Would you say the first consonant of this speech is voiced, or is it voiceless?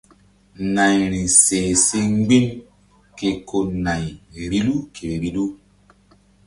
voiced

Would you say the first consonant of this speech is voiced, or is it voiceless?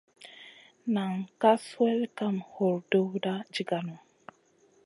voiced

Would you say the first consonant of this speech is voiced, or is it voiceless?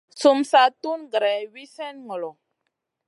voiceless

